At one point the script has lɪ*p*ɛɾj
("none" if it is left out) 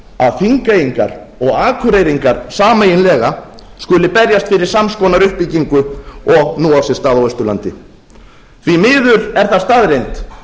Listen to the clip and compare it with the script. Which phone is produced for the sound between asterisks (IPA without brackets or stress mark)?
p